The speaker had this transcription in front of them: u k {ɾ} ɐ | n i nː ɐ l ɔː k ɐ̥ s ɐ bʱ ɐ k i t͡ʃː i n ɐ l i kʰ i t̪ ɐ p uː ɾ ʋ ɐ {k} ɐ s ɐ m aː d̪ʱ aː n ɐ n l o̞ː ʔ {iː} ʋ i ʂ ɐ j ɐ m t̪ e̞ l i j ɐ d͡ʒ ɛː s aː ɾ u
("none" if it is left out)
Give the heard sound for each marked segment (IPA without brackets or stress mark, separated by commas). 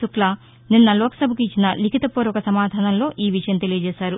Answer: l, k, iː